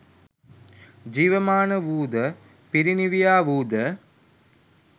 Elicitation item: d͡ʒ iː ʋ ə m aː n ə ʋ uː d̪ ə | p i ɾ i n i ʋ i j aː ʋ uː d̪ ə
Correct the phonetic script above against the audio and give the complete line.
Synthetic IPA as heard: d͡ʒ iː ʋ ə m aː n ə ʋ uː d̪ ə | p i ɾ i n i ʋ i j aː ʋ uː d̪ ə

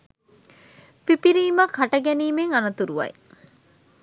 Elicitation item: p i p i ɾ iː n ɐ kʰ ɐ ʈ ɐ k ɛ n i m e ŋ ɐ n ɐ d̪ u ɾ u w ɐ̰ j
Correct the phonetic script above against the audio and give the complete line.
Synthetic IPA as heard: p i p i ɾ iː m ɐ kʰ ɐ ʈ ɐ ɡ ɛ n iː m e ŋ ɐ n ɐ t̪ u ɾ u ʋ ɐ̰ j

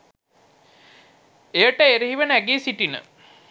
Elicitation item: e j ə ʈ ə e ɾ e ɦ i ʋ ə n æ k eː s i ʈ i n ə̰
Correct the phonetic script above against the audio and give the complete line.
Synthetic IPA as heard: e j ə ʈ ə e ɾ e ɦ i ʋ ə n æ ɡ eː s i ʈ i n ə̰

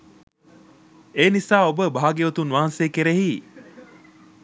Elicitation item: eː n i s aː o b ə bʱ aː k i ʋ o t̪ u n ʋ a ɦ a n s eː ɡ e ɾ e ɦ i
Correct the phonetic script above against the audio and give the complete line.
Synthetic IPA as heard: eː n i s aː o b ə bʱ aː ɡ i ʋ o t̪ u n ʋ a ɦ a n s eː k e ɾ e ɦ i

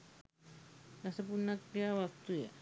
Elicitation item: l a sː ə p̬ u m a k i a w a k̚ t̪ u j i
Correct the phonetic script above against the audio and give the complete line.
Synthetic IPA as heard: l a s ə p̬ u n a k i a w a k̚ t̪ u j a

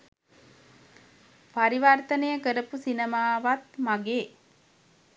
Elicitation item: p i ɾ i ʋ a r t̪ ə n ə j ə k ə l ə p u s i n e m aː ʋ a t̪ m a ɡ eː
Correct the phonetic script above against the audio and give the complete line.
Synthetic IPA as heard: p a ɾ i ʋ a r t̪ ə n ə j ə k ə ɾ ə p u s i n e m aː ʋ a t̪ m a ɡ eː

